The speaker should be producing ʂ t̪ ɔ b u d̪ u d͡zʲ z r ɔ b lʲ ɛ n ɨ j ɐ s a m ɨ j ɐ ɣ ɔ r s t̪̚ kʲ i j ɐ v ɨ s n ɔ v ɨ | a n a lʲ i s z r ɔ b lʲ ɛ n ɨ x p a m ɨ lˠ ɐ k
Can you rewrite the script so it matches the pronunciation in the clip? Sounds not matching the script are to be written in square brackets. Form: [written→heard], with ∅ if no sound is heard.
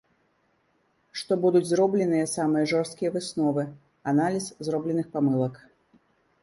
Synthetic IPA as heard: ʂ t̪ ɔ b u d̪ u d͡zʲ z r ɔ b lʲ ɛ n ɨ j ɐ s a m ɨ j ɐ [ɣ→ʐ] ɔ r s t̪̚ kʲ i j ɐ v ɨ s n ɔ v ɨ | a n a lʲ i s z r ɔ b lʲ ɛ n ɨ x p a m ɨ lˠ ɐ k